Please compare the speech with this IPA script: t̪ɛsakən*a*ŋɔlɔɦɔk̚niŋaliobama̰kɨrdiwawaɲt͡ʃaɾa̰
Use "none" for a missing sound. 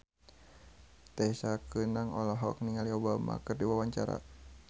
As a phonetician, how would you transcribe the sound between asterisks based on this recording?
a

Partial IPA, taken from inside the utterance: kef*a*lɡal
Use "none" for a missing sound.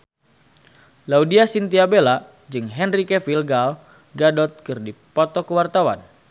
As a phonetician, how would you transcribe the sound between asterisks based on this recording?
i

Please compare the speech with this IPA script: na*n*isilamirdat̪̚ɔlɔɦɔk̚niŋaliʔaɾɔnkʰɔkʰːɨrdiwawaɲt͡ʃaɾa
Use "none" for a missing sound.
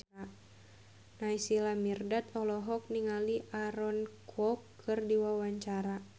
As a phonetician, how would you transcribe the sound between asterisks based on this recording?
none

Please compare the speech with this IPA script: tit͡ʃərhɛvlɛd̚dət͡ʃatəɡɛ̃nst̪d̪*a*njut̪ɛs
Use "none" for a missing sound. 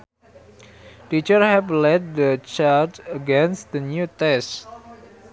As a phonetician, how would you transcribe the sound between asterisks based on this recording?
ə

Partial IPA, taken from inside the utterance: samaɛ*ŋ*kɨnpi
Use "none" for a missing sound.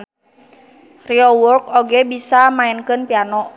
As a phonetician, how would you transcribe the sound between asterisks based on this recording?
n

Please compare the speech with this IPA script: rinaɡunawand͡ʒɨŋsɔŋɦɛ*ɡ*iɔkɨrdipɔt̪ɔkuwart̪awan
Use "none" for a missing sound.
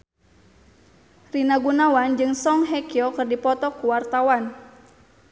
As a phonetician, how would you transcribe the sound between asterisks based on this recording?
k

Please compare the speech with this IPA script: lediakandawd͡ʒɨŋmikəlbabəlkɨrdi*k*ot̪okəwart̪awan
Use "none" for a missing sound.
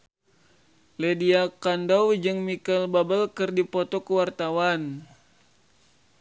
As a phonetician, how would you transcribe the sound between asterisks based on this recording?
p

